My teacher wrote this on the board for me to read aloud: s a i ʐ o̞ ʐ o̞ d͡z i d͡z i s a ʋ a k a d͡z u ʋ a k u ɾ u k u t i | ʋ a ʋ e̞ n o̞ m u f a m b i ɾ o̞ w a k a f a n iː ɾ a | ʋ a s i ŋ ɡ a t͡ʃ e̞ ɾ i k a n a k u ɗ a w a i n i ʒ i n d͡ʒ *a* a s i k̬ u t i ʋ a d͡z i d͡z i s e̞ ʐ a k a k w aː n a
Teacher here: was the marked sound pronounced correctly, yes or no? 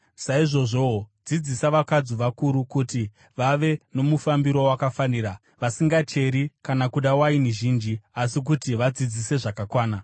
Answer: no